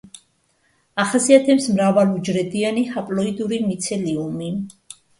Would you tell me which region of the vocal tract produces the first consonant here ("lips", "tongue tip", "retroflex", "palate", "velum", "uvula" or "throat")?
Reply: uvula